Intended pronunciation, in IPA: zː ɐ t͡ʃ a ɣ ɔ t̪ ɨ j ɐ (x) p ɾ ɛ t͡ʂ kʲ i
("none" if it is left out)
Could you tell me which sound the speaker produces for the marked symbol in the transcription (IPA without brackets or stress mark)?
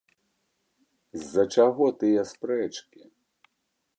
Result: s